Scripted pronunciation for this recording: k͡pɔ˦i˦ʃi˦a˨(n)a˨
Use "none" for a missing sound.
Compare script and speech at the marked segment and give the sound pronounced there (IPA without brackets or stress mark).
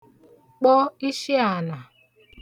n